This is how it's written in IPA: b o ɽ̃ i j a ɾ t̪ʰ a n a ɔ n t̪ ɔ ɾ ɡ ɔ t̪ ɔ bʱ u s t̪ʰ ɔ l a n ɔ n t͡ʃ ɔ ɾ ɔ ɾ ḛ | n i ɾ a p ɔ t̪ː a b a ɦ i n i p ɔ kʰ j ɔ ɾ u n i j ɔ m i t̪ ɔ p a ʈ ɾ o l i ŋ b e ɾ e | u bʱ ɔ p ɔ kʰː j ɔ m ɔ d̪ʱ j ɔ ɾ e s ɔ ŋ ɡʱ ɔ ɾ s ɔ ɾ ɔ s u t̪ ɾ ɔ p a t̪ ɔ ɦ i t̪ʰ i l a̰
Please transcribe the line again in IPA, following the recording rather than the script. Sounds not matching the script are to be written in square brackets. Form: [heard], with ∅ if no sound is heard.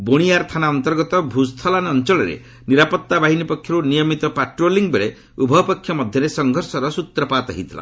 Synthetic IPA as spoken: b o ɽ̃ i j a ɾ t̪ʰ a n a ɔ n t̪ ɔ ɾ ɡ ɔ t̪ ɔ bʱ u s t̪ʰ ɔ l a n ɔ n t͡ʃ ɔ [ɭ] ɔ ɾ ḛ | n i ɾ a p ɔ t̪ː a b a ɦ i n i p ɔ kʰ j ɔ ɾ u n i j ɔ m i t̪ ɔ p a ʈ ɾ o l i ŋ b e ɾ e | u bʱ ɔ p ɔ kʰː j ɔ m ɔ d̪ʱ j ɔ ɾ e s ɔ ŋ ɡʱ ɔ ɾ s ɔ ɾ ɔ s u t̪ ɾ ɔ p a t̪ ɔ ɦ i t̪ʰ i l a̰